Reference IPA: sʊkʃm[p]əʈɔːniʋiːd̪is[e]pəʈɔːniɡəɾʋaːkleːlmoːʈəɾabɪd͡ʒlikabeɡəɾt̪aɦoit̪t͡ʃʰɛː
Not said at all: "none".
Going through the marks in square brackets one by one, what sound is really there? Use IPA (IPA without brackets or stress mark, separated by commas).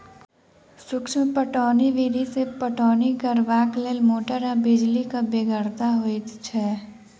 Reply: p, e